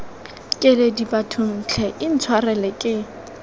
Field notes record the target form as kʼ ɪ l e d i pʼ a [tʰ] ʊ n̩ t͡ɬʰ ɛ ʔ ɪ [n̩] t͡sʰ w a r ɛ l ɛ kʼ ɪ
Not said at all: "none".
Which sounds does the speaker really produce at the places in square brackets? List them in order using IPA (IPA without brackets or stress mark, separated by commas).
tʰ, n̩